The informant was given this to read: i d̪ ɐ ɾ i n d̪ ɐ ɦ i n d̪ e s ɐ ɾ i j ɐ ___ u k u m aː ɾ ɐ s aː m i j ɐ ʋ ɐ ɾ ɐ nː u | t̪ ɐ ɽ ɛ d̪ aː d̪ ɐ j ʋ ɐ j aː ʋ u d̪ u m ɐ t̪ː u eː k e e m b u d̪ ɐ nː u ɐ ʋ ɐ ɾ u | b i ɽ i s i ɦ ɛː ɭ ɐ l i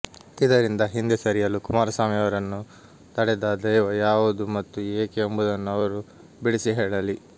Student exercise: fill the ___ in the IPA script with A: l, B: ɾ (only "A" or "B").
A